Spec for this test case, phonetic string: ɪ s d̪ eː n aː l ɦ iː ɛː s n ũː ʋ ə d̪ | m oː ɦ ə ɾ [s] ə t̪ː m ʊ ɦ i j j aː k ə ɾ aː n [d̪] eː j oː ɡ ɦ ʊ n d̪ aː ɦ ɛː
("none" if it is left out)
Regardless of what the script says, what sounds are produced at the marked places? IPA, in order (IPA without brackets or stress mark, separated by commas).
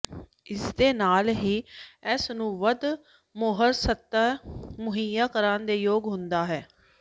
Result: s, d̪